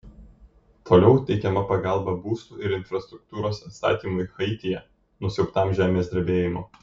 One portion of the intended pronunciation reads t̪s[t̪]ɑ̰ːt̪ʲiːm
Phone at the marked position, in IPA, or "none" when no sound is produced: t̪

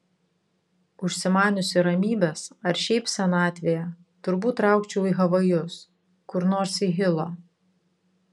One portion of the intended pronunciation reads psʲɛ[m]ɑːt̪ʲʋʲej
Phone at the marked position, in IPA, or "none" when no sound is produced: n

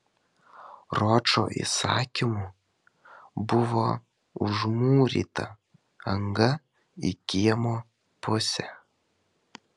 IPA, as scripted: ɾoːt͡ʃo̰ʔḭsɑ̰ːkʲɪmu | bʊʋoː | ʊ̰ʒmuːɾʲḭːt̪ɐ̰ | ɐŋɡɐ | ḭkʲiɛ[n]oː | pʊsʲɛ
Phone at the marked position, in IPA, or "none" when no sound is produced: m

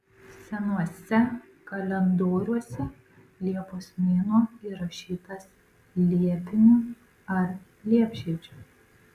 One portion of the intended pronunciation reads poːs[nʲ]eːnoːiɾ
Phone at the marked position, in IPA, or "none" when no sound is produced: mʲ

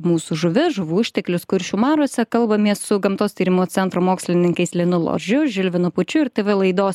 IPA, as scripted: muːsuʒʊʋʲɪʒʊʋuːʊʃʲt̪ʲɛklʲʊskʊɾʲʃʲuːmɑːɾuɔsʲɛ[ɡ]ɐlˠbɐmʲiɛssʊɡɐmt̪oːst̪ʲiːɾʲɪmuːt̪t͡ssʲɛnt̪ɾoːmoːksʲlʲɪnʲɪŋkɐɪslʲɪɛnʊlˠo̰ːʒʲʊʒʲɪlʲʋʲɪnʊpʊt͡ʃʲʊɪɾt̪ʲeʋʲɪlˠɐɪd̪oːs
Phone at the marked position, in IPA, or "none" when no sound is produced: k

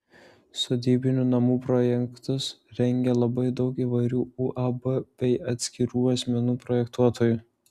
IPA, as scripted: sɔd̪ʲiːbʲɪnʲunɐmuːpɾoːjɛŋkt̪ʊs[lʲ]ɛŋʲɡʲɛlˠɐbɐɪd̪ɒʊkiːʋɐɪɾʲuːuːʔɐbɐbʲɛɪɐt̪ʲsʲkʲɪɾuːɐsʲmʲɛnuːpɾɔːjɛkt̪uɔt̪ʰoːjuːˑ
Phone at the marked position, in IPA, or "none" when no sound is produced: ɾʲ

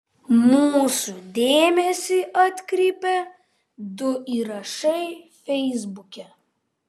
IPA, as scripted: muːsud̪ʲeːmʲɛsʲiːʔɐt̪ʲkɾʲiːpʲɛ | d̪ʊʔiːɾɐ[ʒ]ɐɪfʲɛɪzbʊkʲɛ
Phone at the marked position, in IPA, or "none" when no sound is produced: ʃ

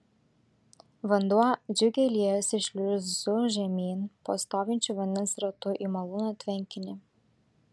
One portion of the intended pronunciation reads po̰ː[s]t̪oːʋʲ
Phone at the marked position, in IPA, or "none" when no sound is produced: s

